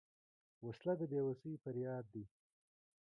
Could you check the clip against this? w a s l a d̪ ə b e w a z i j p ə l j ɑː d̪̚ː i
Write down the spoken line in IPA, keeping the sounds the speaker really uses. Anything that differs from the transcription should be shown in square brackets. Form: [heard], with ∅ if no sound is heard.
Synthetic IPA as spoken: w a s l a d̪ ə b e w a [s] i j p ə [ɾ] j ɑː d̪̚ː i